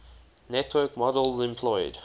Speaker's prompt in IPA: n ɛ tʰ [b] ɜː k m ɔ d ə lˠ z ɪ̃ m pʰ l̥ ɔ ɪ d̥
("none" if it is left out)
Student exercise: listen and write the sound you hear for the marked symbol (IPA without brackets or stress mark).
w